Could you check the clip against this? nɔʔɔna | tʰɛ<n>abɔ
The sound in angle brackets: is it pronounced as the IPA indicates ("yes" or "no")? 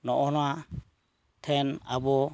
yes